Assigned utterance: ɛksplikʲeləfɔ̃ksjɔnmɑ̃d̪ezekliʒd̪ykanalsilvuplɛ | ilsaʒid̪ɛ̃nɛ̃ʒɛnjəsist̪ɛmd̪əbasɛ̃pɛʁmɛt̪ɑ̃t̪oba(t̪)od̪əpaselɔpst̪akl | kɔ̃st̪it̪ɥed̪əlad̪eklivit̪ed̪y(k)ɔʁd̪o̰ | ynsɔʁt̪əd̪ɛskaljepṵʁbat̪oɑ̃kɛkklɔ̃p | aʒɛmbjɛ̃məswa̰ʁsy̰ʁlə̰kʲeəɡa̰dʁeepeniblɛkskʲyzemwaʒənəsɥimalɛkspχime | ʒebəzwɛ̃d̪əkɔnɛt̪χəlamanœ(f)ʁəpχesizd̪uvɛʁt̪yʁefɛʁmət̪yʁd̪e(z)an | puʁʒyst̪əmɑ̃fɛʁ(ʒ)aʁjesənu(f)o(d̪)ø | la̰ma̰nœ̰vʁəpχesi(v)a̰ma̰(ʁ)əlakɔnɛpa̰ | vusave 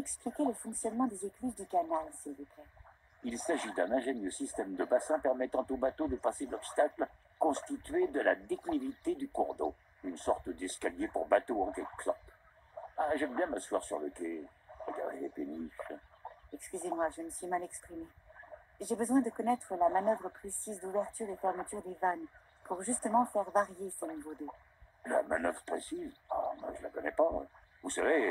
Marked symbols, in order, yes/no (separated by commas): yes, yes, no, no, no, no, yes, no, no